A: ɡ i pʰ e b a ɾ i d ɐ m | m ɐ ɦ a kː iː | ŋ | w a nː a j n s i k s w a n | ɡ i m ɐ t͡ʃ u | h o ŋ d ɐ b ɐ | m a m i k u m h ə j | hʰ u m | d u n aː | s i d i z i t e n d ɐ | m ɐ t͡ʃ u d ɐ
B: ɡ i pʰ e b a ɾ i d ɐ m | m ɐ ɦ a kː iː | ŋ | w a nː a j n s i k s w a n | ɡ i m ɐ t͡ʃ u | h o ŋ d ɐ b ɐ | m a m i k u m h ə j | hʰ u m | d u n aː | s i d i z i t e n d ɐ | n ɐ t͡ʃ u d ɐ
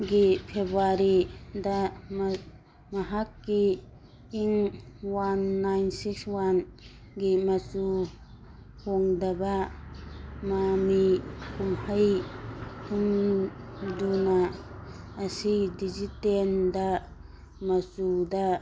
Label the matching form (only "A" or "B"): A